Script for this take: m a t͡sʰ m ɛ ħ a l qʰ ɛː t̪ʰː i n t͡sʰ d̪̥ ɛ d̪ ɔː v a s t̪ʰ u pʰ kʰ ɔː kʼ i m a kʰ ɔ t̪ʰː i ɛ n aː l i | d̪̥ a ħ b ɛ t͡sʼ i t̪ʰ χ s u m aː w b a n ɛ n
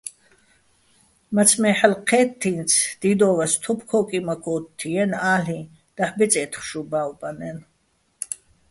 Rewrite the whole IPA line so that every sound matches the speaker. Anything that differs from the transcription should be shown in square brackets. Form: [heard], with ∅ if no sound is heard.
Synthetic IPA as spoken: m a t͡sʰ m ɛ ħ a l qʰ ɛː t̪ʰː i n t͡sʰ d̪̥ [i] d̪ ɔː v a s t̪ʰ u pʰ kʰ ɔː kʼ i m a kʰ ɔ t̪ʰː i ɛ n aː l i | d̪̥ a ħ b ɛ t͡sʼ [ɛ] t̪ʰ χ [ʃ] u [b] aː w b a n ɛ n